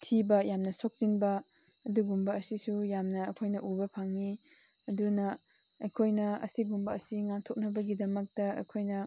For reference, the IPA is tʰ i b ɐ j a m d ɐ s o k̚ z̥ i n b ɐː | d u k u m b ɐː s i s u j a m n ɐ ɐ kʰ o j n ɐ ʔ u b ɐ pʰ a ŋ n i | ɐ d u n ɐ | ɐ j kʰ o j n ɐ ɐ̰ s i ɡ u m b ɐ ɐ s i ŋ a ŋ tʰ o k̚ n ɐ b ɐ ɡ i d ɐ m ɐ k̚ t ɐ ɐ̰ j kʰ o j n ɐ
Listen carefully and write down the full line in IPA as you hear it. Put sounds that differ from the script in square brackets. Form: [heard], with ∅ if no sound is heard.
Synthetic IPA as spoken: tʰ i b ɐ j a m [n] ɐ s o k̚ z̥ i n b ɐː | d u [ɡ] u m b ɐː s i s u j a m n ɐ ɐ kʰ o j n ɐ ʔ u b ɐ pʰ a ŋ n i | ɐ d u n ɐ | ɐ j kʰ o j n ɐ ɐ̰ s i ɡ u m b ɐ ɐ s i ŋ a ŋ tʰ o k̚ n ɐ b ɐ ɡ i d ɐ m ɐ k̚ t ɐ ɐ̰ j kʰ o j n ɐ

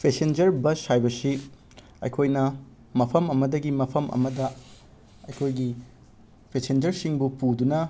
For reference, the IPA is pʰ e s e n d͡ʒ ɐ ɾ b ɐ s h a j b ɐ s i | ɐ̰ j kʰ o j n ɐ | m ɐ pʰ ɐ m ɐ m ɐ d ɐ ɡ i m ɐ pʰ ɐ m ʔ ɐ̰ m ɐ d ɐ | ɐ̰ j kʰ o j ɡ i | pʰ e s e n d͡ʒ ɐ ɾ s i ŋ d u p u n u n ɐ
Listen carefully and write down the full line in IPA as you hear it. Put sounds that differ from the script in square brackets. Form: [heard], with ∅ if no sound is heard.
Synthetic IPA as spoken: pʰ e s e n d͡ʒ ɐ ɾ b ɐ s h a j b ɐ s i | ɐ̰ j kʰ o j n ɐ | m ɐ pʰ ɐ m ɐ m ɐ d ɐ ɡ i m ɐ pʰ ɐ m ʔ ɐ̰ m ɐ d ɐ | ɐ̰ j kʰ o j ɡ i | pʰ e s e n d͡ʒ ɐ ɾ s i ŋ [b] u p u [d] u n ɐ

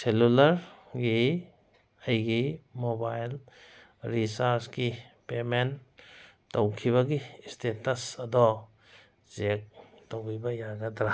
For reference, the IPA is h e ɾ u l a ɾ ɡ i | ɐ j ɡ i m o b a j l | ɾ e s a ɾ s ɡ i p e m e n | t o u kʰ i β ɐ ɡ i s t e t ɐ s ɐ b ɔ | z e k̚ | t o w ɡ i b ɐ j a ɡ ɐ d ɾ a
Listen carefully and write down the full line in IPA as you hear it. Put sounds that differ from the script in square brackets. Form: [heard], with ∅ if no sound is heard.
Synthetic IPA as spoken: [s] e [l] u l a ɾ ɡ i | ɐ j ɡ i m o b a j l | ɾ [i] s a ɾ s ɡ i p e m e n | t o [w] kʰ i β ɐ ɡ i s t e t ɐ s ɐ [d] ɔ | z e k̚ | t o w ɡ i b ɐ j a ɡ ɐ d ɾ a

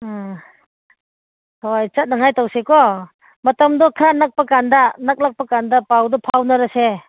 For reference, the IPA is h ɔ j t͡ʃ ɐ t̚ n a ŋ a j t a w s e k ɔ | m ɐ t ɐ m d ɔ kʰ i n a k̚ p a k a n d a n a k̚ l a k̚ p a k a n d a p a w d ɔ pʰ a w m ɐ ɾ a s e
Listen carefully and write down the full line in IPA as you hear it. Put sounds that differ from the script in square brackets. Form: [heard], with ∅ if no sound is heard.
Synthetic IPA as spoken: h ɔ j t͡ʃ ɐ t̚ n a ŋ a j t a w s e k ɔ | m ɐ t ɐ m d ɔ kʰ [a] n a k̚ p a k a n d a n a k̚ l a k̚ p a k a n d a p a w d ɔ pʰ a w [n] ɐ ɾ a s e

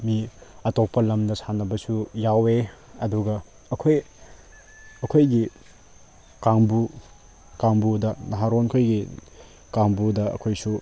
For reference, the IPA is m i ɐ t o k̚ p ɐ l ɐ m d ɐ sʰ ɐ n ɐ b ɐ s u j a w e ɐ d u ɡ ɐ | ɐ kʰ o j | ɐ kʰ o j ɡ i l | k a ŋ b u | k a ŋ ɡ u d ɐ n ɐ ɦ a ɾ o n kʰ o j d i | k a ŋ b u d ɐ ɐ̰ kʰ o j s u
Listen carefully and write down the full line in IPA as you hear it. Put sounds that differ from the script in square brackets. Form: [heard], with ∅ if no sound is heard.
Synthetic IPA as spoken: m i ɐ t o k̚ p ɐ l ɐ m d ɐ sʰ [a] n ɐ b ɐ s u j a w e ɐ d u ɡ ɐ | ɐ kʰ o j | ɐ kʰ o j ɡ i [∅] | k a ŋ b u | k a ŋ [b] u d ɐ n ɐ ɦ a ɾ o n kʰ o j [ɡ] i | k a ŋ b u d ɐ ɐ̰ kʰ o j s u

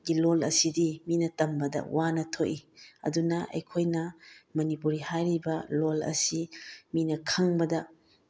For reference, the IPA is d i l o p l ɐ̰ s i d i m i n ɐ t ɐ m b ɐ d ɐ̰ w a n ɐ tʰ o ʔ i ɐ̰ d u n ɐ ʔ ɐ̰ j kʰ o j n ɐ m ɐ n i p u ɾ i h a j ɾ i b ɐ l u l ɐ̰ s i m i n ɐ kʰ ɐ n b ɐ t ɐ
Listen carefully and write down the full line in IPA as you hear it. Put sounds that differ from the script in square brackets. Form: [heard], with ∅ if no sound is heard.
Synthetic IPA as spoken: [ɡ] i l o [∅] l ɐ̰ s i d i m i n ɐ t ɐ m b ɐ d ɐ̰ w a n ɐ tʰ o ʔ i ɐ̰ d u n ɐ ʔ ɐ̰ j kʰ o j n ɐ m ɐ n i p u ɾ i h a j ɾ i b ɐ l [o] l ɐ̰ s i m i n ɐ kʰ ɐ [ŋ] b ɐ [d] ɐ

